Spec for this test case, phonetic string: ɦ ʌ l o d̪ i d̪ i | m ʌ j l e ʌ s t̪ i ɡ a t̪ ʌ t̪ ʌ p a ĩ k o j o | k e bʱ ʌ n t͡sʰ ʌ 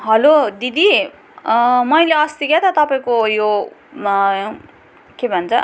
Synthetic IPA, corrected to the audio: ɦ ʌ l o d̪ i d̪ i | m ʌ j l e ʌ s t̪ i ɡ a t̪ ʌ t̪ ʌ p a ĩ k o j o | k e bʱ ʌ n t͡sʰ ʌ